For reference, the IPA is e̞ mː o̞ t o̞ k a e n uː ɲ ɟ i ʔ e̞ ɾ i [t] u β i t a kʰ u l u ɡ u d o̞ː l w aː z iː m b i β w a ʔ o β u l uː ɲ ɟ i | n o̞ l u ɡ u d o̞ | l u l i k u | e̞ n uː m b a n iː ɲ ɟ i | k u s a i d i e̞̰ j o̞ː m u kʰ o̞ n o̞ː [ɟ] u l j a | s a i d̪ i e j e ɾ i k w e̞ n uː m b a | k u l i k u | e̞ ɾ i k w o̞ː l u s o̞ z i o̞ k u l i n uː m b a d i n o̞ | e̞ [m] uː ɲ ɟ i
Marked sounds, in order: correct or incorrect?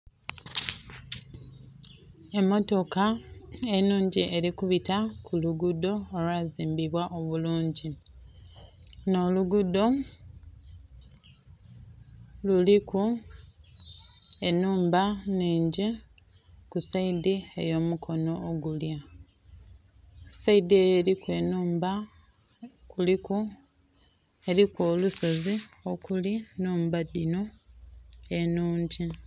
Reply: incorrect: k, incorrect: ɡ, incorrect: n

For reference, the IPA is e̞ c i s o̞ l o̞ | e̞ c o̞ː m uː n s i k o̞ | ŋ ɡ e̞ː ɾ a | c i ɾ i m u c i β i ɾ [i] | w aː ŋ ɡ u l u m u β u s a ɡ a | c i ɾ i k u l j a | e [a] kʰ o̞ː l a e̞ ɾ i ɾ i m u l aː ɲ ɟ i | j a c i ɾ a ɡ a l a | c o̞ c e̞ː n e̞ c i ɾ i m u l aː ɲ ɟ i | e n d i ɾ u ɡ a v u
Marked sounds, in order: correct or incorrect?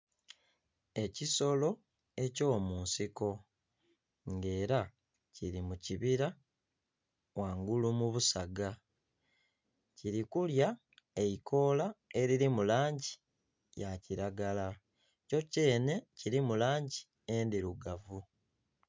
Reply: incorrect: a, incorrect: i

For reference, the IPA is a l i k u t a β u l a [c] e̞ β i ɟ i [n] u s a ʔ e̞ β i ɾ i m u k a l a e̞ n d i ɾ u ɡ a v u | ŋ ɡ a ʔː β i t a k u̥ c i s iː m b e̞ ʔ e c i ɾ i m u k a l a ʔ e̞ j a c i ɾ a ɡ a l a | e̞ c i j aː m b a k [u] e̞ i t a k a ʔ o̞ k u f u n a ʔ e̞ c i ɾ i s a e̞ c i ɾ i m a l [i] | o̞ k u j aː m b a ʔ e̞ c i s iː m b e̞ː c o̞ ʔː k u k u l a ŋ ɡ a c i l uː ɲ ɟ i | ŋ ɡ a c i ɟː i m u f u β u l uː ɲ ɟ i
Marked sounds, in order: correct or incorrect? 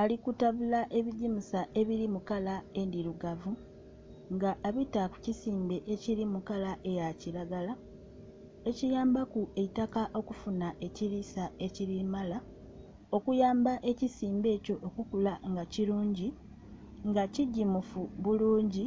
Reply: incorrect: ʔ, incorrect: m, correct, incorrect: a

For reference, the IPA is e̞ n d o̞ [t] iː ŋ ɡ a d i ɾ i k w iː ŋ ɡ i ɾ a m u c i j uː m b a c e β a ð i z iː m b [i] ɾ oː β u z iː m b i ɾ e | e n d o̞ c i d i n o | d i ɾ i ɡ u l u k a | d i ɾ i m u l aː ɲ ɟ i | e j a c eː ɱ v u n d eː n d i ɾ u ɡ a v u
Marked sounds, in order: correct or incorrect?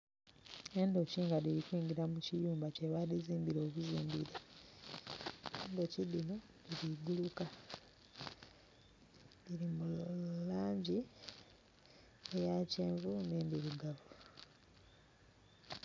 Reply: incorrect: c, correct

